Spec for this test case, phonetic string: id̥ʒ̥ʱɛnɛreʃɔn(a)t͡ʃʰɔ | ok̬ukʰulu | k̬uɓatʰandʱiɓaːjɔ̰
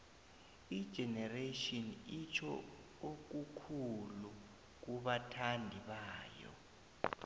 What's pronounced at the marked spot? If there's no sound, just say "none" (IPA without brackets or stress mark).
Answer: i